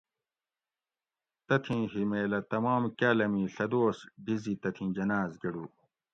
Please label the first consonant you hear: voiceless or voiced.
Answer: voiceless